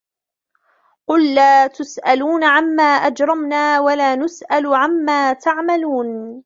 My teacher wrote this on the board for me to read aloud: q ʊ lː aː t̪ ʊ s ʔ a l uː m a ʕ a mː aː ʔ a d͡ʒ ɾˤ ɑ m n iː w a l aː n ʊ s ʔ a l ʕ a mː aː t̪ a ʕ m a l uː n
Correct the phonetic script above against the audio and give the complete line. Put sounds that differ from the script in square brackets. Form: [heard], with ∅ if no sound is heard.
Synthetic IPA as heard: q ʊ lː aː t̪ ʊ s ʔ a l uː [n] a ʕ a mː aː ʔ a d͡ʒ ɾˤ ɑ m n [aː] w a l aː n ʊ s ʔ a l ʕ a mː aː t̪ a ʕ m a l uː n